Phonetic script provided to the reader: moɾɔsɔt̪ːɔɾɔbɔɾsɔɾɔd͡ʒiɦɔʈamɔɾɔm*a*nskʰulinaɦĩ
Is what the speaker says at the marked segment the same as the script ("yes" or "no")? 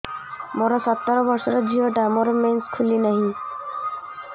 no